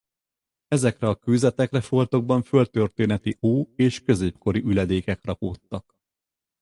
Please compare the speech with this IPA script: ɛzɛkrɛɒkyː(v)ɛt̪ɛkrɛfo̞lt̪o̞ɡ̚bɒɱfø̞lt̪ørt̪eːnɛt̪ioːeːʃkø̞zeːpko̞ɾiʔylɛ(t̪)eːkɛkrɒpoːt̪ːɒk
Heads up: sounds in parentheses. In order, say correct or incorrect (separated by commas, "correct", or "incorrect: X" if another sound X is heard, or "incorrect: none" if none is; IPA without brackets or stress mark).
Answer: incorrect: z, incorrect: d̪